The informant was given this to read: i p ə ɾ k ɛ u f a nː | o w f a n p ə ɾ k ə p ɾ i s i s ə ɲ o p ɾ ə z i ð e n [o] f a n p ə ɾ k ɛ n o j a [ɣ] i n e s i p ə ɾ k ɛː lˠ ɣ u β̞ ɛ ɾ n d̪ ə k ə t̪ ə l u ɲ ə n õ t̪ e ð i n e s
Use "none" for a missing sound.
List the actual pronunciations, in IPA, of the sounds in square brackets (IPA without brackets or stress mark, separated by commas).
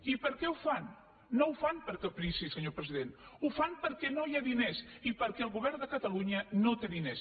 u, ð